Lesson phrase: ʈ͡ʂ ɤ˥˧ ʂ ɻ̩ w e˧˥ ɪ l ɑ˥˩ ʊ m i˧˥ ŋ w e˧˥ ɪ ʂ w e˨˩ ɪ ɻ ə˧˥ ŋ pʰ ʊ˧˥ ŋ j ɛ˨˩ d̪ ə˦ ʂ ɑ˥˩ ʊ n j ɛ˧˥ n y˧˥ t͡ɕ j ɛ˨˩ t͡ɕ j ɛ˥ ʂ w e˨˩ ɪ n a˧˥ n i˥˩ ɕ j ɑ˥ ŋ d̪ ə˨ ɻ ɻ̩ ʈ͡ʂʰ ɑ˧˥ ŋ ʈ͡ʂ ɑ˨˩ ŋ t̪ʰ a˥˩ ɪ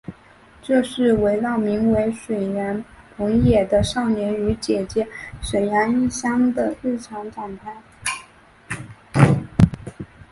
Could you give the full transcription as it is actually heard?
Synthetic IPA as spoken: ʈ͡ʂ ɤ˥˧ ʂ ɻ̩ w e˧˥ ɪ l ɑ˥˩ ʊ m i˧˥ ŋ w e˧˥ ɪ ʂ w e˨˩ ɪ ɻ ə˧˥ n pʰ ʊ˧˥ ŋ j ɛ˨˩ d̪ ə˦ ʂ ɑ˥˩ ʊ n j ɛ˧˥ n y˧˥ t͡ɕ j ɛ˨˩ t͡ɕ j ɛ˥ ʂ w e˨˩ ɪ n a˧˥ n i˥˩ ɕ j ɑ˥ ŋ d̪ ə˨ ɻ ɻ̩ ʈ͡ʂʰ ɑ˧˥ ŋ ʈ͡ʂ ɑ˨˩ ŋ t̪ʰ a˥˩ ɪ